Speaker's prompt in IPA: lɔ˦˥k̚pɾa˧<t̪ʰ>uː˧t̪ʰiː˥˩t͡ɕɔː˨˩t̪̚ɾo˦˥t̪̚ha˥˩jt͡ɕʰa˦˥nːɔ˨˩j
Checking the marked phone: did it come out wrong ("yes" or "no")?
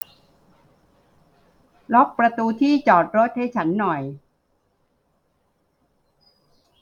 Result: yes